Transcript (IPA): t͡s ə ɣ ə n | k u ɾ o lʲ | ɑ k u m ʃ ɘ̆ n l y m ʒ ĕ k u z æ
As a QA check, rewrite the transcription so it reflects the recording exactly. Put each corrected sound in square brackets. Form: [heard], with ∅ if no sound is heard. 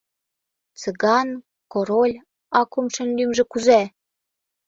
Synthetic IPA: t͡s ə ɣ [ɑ] n | k [o] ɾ o lʲ | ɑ k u m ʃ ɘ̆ n l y m ʒ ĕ k u z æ